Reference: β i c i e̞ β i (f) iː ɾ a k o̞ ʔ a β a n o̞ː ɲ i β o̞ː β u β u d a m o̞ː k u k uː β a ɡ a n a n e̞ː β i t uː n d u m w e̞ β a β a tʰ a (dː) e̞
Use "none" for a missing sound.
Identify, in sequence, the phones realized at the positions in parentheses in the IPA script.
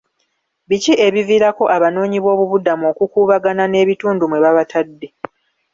v, dː

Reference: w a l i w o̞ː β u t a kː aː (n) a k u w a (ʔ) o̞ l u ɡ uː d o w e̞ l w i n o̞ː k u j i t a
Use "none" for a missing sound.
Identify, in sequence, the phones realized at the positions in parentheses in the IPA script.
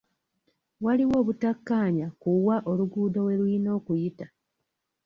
ɲ, ʔ

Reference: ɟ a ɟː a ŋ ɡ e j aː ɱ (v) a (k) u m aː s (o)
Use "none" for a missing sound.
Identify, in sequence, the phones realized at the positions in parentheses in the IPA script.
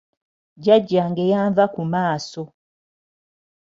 v, k, o

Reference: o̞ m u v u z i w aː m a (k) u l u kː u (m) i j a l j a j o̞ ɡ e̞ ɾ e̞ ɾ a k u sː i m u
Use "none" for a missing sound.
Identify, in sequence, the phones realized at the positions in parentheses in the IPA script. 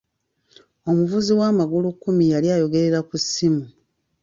ɡ, m

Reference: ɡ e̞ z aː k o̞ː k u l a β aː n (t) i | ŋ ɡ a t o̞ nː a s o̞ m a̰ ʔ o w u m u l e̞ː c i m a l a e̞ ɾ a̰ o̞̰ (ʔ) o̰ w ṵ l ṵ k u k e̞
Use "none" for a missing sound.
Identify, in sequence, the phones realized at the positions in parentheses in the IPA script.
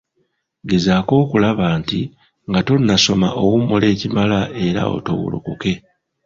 t, t

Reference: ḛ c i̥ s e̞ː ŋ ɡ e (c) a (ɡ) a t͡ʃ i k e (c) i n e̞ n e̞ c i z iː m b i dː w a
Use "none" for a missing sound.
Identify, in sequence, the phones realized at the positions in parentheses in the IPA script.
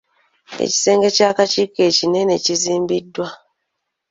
c, k, c

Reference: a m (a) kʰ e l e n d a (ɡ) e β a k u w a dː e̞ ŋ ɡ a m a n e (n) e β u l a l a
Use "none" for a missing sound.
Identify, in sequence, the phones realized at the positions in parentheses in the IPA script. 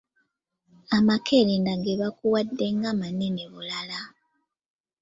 a, ɡ, n

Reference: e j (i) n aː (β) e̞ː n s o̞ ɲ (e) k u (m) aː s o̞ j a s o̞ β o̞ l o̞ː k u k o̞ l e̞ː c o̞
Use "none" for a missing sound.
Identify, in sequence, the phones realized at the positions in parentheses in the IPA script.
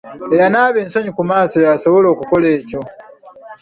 a, β, i, m

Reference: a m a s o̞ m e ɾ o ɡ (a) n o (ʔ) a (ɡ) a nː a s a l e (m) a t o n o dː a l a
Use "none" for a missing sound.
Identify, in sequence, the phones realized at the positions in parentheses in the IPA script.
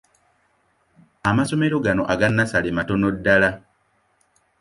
a, ʔ, ɡ, m

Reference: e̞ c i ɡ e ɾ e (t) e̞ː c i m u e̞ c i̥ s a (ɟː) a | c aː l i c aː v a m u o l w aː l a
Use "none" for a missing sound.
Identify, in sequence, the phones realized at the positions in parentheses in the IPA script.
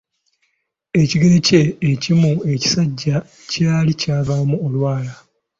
c, ɟː

